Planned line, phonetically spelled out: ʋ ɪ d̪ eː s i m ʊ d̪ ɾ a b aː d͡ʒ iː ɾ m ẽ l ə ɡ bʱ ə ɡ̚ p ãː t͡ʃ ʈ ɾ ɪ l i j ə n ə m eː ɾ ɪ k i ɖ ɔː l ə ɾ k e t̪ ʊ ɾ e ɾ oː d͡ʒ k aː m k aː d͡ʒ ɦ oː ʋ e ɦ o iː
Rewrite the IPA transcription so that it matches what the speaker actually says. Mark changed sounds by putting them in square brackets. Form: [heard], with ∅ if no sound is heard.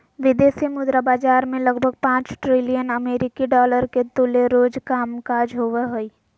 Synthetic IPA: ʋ ɪ d̪ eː s i m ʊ d̪ ɾ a b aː d͡ʒ [aː] ɾ m ẽ l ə ɡ bʱ ə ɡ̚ p ãː t͡ʃ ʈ ɾ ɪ l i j ə n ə m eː ɾ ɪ k i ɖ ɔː l ə ɾ k e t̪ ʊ [l] e ɾ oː d͡ʒ k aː m k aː d͡ʒ ɦ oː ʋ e ɦ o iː

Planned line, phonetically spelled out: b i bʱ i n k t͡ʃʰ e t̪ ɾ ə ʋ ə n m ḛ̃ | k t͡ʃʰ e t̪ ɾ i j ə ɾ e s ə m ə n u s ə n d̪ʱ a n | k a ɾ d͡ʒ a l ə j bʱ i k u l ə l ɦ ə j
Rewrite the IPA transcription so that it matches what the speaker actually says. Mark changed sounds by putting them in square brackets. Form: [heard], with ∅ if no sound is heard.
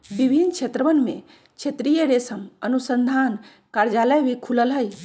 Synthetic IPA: b i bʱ i n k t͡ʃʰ e t̪ ɾ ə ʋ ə n m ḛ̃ | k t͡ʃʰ e t̪ ɾ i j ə ɾ e s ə m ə n u s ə n d̪ʱ a n | k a ɾ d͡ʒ a l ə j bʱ i [kʰ] u l ə l ɦ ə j

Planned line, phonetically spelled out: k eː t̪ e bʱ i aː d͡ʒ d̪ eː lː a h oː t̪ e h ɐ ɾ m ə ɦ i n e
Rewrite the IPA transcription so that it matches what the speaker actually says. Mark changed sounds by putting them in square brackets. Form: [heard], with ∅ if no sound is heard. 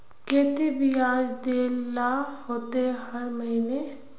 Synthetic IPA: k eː t̪ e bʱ i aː d͡ʒ d̪ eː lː a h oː t̪ e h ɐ ɾ m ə ɦ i n e

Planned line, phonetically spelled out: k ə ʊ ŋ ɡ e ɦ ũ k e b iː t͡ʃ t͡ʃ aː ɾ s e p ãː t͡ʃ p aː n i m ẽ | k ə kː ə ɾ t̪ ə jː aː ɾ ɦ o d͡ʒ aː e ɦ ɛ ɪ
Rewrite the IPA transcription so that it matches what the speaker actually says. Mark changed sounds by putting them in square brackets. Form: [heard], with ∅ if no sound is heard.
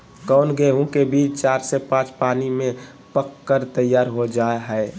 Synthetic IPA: k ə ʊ [n] ɡ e ɦ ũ k e b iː t͡ʃ t͡ʃ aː ɾ s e p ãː t͡ʃ p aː n i m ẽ | [p] ə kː ə ɾ t̪ ə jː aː ɾ ɦ o d͡ʒ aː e ɦ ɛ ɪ

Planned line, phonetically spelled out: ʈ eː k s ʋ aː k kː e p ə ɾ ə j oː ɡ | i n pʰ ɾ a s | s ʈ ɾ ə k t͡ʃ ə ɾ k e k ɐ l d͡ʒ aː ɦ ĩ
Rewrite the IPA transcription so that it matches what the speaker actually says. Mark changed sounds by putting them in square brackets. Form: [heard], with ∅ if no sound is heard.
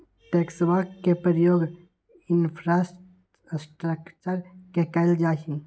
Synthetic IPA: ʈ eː k s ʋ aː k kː e p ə ɾ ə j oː ɡ | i n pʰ ɾ a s | s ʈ ɾ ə k t͡ʃ ə ɾ k e k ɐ l d͡ʒ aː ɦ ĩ

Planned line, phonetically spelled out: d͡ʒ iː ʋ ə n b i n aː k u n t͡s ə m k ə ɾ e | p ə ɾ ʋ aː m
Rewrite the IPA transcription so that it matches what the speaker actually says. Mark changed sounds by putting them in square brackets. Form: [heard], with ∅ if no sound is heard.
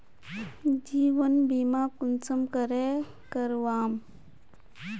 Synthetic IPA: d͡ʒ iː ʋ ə n b i [m] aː k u n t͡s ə m k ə ɾ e | [k] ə ɾ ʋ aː m

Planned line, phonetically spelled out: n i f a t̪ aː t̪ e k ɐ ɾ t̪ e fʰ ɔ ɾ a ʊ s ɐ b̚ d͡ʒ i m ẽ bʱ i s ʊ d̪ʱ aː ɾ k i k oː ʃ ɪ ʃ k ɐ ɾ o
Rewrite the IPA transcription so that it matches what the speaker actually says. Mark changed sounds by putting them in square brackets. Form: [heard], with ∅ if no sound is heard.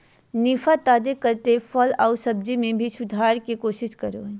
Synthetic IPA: n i f a t̪ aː [d̪] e k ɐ ɾ t̪ e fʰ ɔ [l] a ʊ s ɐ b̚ d͡ʒ i m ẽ bʱ i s ʊ d̪ʱ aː ɾ k i k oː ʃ ɪ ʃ k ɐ ɾ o

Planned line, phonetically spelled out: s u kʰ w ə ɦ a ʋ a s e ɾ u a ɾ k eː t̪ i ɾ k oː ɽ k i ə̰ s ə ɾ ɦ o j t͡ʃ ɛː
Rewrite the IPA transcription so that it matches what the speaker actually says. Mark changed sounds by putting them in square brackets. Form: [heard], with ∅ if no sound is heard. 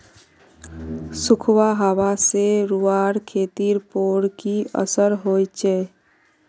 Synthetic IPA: s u kʰ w [a] ɦ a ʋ a s e ɾ u a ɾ [kʰ] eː t̪ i ɾ [p] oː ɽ k i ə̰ s ə ɾ ɦ o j t͡ʃ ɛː

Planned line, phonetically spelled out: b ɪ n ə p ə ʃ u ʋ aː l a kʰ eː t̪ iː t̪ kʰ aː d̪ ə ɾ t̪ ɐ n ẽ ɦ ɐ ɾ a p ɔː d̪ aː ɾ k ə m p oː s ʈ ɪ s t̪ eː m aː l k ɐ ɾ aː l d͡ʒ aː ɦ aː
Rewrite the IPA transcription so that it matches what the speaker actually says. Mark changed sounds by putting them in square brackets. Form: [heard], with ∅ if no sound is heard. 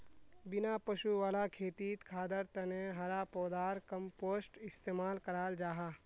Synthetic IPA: b ɪ n [a] p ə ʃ u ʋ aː l a kʰ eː t̪ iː t̪ kʰ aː d̪ ə ɾ t̪ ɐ n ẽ ɦ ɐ ɾ a p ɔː d̪ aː ɾ k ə m p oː s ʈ ɪ s t̪ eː m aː l k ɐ ɾ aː l d͡ʒ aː ɦ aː

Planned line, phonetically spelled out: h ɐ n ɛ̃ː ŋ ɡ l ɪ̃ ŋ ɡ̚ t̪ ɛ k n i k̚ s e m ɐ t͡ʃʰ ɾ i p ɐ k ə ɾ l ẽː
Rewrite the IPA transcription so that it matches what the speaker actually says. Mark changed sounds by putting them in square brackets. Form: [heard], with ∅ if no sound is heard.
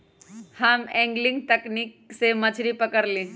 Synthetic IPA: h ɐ [m] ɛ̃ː ŋ ɡ l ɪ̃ ŋ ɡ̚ t̪ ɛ k n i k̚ s e m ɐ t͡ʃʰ ɾ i p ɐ k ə ɾ l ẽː

